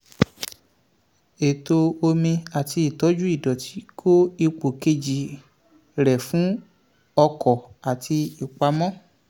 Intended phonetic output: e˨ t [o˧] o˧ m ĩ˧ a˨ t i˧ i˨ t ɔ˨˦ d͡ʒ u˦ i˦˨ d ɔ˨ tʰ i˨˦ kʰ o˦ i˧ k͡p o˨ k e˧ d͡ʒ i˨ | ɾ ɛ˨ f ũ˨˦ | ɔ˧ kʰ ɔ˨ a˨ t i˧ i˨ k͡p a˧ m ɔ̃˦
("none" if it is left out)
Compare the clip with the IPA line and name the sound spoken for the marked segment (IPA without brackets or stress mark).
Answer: o˧